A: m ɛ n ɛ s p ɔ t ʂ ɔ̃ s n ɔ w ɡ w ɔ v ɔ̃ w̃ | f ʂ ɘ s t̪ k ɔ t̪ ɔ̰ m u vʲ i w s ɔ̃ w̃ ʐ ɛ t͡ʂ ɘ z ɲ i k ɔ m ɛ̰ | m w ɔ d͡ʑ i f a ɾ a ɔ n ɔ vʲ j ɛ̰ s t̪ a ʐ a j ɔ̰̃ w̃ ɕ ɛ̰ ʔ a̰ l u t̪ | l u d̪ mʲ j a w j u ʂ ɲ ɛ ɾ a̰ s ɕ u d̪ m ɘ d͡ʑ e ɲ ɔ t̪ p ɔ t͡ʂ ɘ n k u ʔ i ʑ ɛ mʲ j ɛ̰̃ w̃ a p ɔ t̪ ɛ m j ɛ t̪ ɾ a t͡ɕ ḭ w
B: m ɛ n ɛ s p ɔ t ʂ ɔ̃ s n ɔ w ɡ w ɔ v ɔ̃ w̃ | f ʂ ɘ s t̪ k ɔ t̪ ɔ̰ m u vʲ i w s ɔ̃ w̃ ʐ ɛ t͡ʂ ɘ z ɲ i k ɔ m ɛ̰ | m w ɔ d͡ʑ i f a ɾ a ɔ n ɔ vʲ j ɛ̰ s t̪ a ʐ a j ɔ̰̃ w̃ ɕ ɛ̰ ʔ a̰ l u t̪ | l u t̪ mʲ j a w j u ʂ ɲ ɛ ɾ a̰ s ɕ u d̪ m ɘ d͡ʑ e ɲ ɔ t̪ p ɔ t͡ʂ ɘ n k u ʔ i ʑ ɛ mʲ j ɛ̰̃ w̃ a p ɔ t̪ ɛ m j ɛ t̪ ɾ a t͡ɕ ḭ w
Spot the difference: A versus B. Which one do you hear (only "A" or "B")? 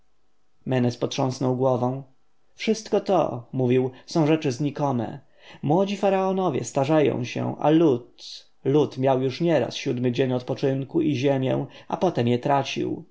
B